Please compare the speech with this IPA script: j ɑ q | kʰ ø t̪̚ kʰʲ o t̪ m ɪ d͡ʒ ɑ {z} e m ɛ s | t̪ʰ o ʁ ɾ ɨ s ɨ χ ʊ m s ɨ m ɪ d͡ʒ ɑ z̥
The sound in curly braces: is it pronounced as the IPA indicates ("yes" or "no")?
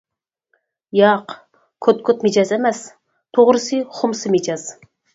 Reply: yes